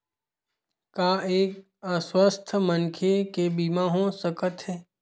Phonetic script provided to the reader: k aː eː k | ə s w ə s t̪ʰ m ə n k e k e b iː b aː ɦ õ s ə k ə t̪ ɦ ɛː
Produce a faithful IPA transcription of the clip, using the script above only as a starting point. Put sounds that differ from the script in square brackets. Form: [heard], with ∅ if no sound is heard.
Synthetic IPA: k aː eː k | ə s w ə s t̪ʰ m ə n [kʰ] e k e b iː [m] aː ɦ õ s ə k ə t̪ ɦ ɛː